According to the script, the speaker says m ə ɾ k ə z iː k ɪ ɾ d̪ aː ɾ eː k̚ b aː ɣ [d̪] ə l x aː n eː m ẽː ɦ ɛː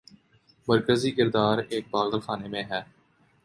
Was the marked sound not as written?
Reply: no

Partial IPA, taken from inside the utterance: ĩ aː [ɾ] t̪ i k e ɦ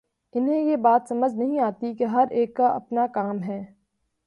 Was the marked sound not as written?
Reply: yes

